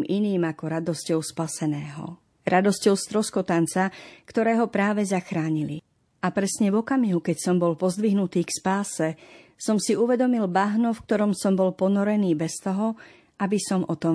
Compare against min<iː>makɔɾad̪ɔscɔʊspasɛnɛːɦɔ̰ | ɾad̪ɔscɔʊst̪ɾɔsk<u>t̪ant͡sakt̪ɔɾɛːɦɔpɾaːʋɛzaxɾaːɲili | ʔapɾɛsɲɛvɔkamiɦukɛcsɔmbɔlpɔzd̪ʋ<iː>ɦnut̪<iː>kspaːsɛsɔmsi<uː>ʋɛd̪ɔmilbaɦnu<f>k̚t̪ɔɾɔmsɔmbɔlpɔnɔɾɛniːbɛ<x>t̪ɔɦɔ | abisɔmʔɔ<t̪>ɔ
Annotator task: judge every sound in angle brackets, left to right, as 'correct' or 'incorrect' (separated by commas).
correct, incorrect, incorrect, correct, incorrect, correct, incorrect, correct